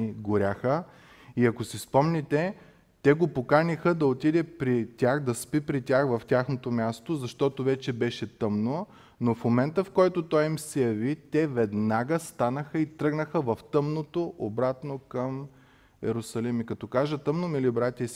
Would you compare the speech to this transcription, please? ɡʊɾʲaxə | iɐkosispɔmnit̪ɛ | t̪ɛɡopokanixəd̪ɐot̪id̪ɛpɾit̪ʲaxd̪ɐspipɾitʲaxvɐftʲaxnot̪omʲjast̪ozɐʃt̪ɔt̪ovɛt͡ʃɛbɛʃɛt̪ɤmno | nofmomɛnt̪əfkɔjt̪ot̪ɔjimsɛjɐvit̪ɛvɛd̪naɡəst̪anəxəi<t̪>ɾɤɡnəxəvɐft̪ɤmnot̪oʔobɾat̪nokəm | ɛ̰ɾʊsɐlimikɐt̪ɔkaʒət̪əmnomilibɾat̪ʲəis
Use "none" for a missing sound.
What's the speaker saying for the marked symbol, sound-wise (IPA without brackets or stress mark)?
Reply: t̪